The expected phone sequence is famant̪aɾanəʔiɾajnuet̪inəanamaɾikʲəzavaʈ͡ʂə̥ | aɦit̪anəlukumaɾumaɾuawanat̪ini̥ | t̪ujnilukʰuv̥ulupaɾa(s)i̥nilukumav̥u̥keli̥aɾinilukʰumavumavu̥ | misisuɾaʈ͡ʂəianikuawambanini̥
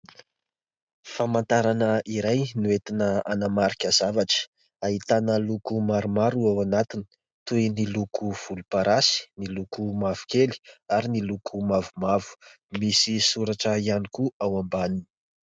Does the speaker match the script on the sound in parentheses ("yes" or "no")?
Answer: yes